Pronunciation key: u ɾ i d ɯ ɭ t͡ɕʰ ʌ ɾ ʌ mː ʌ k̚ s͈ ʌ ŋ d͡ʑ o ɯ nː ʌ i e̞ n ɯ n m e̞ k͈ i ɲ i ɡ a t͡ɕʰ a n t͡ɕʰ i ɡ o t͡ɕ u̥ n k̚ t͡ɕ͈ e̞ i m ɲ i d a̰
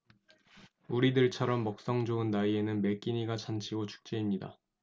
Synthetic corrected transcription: u ɾ i d ɯ ɭ t͡ɕʰ ʌ ɾ ʌ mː ʌ k̚ s͈ ʌ ŋ d͡ʑ o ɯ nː a i e̞ n ɯ n m e̞ k͈ i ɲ i ɡ a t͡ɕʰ a n t͡ɕʰ i ɡ o t͡ɕʰ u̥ k̚ t͡ɕ͈ e̞ i m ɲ i d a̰

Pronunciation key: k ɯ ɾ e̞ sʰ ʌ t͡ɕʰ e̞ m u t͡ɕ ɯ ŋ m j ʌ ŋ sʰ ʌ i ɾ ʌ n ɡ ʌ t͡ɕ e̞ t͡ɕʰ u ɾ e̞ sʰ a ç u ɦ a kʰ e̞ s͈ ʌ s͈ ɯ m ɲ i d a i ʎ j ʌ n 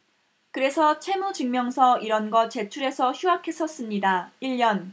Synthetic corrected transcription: k ɯ ɾ e̞ sʰ ʌ t͡ɕʰ e̞ m u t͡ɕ ɯ ŋ m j ʌ ŋ sʰ ʌ i ɾ ʌ n ɡ ʌ t͡ɕ e̞ t͡ɕʰ u ɾ e̞ sʰ ʌ ç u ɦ a kʰ e̞ s͈ ʌ s͈ ɯ m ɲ i d a i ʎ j ʌ n

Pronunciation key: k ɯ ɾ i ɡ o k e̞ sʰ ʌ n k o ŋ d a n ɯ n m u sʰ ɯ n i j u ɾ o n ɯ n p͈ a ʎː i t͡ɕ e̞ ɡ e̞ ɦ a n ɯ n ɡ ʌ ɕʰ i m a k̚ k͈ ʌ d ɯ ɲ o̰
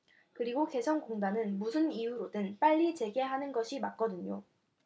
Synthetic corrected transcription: k ɯ ɾ i ɡ o k e̞ sʰ ʌ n k o ŋ d a n ɯ n m u sʰ ɯ n i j u ɾ o d ɯ n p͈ a ʎː i t͡ɕ e̞ ɡ e̞ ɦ a n ɯ n ɡ ʌ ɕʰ i m a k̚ k͈ ʌ d ɯ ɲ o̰

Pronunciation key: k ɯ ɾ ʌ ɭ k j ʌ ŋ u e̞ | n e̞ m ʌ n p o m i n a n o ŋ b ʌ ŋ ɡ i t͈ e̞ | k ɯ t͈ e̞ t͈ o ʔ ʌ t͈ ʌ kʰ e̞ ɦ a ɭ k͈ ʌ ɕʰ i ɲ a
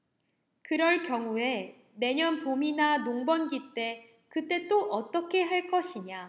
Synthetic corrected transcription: k ɯ ɾ ʌ ɭ k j ʌ ŋ u e̞ | n e̞ ɲ ʌ n p o m i n a n o ŋ b ʌ n ɡ i t͈ e̞ | k ɯ t͈ e̞ t͈ o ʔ ʌ t͈ ʌ kʰ e̞ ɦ a ɭ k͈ ʌ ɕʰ i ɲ a

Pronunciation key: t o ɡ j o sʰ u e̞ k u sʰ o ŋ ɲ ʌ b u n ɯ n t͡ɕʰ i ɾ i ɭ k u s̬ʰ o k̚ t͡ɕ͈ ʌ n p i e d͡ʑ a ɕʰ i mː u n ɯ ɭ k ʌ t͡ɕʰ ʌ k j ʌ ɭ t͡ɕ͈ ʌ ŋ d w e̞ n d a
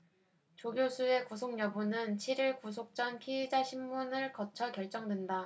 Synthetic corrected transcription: t͡ɕ o ɡ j o sʰ u e̞ k u sʰ o ŋ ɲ ʌ b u n ɯ n t͡ɕʰ i ɾ i ɭ k u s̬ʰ o k̚ t͡ɕ͈ ʌ n pʰ i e d͡ʑ a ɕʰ i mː u n ɯ ɭ k ʌ t͡ɕʰ ʌ k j ʌ ɭ t͡ɕ͈ ʌ ŋ d w e̞ n d a

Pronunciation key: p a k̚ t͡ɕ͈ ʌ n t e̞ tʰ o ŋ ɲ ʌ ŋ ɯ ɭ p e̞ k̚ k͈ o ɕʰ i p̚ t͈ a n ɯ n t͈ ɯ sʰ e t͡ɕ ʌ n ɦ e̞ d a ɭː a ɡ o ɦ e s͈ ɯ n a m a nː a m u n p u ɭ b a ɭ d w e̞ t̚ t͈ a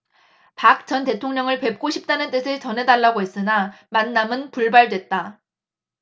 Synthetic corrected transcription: p a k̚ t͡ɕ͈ ʌ n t e̞ tʰ o ŋ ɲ ʌ ŋ ɯ ɭ p e̞ p̚ k͈ o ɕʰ i p̚ t͈ a n ɯ n t͈ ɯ sʰ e t͡ɕ ʌ n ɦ e̞ d a ɭː a ɡ o ɦ e s͈ ɯ n a m a nː a m ɯ n p u ɭ b a ɭ d w e̞ t̚ t͈ a

